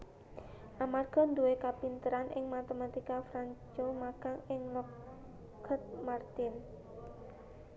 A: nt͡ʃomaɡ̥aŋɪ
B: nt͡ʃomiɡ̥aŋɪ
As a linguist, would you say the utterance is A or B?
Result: A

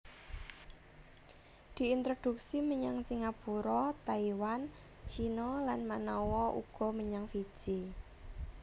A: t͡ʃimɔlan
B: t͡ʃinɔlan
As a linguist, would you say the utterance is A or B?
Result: B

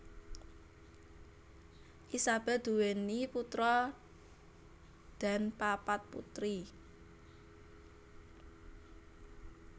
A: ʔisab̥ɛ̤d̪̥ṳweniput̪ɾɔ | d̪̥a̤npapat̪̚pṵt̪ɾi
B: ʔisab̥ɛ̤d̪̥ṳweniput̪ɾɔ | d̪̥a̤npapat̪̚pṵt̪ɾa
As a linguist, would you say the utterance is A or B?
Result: A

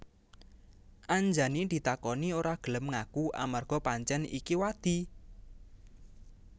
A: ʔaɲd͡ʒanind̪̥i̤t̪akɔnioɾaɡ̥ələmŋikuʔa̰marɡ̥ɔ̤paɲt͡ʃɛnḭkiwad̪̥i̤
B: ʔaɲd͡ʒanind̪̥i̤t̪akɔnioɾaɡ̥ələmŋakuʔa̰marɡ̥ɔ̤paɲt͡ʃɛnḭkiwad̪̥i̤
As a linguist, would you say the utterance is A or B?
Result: B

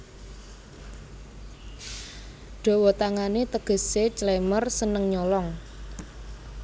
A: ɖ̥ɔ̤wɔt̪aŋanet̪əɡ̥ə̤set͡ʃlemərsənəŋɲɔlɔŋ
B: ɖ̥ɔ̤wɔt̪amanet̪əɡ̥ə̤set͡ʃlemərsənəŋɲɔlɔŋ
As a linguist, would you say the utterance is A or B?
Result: A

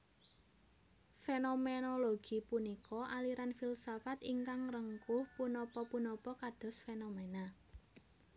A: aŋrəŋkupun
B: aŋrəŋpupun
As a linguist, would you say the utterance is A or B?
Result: A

